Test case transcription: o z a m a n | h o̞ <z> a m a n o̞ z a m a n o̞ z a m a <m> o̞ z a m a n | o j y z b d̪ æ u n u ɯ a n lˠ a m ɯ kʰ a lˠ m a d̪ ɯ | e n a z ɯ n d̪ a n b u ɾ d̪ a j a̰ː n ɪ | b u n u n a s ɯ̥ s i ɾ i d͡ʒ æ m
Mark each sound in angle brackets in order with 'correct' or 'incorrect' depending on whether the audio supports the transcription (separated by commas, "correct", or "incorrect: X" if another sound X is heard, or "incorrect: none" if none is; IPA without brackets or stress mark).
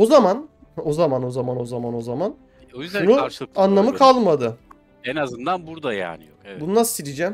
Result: correct, incorrect: n